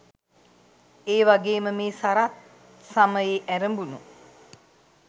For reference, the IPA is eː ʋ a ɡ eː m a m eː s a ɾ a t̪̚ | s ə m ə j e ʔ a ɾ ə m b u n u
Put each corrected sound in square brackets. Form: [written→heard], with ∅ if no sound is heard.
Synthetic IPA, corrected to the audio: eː ʋ a ɡ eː m [a→ə] m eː s a ɾ a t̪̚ | s [ə→a] m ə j e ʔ [a→æ] ɾ ə m b u n u